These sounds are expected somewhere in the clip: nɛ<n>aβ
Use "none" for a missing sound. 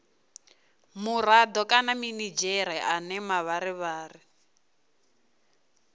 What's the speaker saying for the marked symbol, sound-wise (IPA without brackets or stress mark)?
m